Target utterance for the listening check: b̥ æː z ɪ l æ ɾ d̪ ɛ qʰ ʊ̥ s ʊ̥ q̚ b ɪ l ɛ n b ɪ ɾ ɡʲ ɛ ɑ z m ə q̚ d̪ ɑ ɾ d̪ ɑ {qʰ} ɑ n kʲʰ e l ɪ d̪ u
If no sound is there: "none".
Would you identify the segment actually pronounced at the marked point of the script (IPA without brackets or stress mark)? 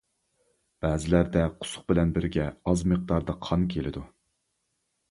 qʰ